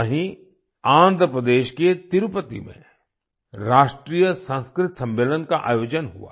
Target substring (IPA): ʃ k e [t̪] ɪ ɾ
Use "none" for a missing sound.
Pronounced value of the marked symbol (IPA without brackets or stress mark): t̪